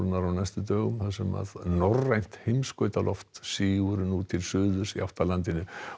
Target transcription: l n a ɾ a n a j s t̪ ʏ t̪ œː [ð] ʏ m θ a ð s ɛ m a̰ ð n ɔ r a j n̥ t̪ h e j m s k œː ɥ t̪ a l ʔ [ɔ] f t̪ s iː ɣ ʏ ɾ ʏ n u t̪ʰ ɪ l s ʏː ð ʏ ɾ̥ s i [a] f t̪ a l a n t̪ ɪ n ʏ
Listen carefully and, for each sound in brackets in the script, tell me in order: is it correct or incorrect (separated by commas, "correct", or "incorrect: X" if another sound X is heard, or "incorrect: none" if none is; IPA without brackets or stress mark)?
incorrect: ɣ, correct, correct